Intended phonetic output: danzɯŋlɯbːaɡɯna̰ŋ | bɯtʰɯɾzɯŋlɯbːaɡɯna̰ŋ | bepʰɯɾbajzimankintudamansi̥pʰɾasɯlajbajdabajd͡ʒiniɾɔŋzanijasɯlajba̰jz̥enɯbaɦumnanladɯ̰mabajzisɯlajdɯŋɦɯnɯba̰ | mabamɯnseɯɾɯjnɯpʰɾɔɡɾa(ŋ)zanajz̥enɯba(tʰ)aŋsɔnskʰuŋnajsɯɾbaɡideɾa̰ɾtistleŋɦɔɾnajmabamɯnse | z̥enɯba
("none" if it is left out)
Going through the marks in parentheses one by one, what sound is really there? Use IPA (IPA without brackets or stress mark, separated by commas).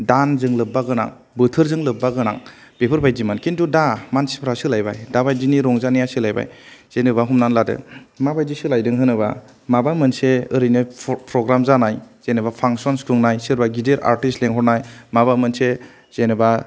m, pʰ